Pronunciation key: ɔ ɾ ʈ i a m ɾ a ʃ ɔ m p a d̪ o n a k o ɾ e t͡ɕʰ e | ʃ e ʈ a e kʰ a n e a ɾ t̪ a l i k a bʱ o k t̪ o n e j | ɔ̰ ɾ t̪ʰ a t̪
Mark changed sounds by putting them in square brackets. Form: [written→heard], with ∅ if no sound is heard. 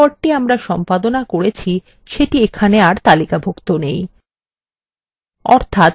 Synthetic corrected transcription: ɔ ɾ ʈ i a m ɾ a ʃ ɔ m p a d̪ o n a k o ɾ e t͡ɕʰ [e→i] | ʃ e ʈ [a→i] e kʰ a n e a ɾ t̪ a l i k a bʱ o k t̪ o n e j | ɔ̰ ɾ t̪ʰ a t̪